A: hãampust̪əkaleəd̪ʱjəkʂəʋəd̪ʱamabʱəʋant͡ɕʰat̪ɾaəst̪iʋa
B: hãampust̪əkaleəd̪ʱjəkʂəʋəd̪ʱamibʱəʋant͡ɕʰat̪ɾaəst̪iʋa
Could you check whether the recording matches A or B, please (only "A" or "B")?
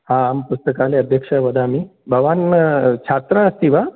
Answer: B